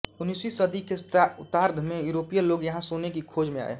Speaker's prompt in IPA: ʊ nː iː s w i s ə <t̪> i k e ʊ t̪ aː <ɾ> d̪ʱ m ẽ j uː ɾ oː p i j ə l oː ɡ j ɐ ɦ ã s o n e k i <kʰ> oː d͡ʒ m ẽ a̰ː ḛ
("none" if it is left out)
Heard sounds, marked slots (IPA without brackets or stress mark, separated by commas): d̪, ɾ, kʰ